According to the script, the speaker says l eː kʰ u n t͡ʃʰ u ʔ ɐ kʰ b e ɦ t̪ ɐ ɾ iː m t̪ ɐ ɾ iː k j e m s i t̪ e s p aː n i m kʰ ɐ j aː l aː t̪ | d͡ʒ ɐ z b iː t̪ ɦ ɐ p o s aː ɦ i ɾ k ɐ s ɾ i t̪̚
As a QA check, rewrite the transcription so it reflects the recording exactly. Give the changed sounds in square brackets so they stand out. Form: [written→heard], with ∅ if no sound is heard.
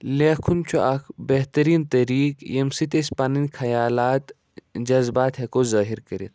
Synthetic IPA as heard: l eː kʰ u n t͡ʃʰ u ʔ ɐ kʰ b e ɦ t̪ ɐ ɾ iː [m→n] t̪ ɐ ɾ iː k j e m s i t̪ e s p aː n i [m→n] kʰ ɐ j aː l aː t̪ | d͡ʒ ɐ z b [iː→aː] t̪ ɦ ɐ [p→k] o [s→z] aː ɦ i ɾ k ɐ [s→∅] ɾ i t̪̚